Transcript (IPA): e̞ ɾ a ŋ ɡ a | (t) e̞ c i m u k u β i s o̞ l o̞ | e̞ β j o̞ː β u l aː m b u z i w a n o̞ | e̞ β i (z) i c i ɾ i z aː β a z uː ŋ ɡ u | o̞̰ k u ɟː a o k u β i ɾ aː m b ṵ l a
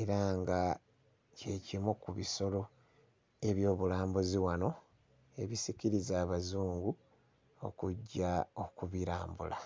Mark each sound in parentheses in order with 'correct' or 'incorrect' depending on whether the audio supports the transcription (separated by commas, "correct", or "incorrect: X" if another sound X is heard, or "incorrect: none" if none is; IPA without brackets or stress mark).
incorrect: c, incorrect: s